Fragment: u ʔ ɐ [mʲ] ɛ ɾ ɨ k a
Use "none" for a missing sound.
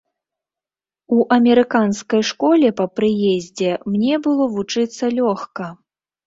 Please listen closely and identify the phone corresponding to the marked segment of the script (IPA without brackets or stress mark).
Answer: mʲ